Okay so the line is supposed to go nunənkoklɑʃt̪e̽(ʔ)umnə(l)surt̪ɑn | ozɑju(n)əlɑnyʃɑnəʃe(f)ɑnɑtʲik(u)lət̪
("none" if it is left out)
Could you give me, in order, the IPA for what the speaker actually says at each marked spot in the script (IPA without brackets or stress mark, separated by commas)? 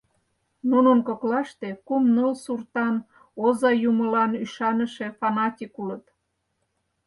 k, l, m, f, u